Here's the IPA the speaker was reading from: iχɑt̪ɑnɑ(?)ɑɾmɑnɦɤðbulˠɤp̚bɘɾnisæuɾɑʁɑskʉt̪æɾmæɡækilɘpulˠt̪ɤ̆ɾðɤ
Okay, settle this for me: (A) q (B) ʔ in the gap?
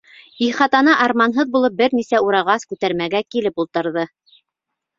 B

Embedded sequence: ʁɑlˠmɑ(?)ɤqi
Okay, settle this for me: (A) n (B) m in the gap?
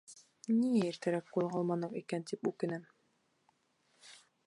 A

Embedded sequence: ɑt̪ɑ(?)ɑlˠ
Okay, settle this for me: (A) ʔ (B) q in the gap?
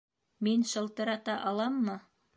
A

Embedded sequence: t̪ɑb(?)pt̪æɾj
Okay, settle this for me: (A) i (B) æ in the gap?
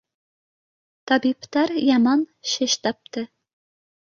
A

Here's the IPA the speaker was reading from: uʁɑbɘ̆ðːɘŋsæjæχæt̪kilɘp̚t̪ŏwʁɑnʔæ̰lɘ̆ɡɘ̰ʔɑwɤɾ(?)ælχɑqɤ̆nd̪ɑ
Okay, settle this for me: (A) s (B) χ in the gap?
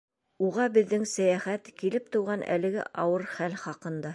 B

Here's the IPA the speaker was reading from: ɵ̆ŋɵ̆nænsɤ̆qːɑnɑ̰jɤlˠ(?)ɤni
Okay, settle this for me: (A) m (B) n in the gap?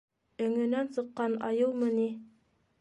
A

